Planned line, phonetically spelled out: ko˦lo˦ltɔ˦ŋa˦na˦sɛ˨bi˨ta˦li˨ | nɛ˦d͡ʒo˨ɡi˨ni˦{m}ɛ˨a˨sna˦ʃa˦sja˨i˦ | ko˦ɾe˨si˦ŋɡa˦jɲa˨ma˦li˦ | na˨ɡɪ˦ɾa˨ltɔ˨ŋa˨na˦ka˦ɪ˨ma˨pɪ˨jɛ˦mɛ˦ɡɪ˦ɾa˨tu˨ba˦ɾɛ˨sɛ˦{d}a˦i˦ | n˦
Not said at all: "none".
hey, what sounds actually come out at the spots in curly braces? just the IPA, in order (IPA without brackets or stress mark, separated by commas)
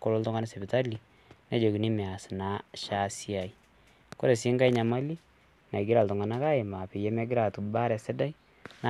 m, d